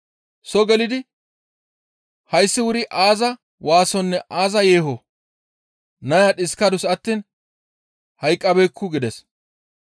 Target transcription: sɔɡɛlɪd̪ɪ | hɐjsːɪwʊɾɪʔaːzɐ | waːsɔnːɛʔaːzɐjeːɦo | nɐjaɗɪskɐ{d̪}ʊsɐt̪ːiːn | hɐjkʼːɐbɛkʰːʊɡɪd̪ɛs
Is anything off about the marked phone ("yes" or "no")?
no